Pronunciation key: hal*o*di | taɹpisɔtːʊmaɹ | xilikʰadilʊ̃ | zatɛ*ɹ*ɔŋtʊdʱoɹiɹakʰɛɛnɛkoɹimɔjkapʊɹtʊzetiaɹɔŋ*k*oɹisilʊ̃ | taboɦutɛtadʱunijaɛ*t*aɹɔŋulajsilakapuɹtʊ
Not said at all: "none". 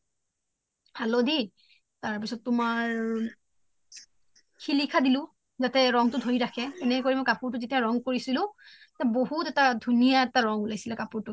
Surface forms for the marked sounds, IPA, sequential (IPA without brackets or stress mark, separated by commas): o, ɹ, k, t